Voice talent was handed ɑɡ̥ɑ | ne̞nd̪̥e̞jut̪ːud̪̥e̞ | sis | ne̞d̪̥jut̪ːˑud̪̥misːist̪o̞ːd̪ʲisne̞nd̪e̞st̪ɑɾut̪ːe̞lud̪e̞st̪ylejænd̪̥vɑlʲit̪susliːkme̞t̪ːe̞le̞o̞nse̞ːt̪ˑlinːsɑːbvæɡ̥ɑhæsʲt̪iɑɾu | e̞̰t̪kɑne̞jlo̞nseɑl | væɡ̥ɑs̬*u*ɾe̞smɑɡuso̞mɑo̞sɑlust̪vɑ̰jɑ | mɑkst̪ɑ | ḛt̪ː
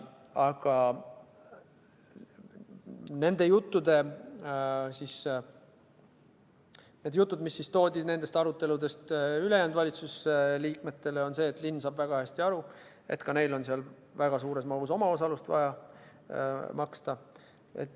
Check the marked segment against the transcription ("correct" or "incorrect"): incorrect